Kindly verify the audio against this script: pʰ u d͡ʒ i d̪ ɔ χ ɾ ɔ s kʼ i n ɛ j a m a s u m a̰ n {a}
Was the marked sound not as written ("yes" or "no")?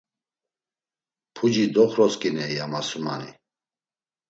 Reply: yes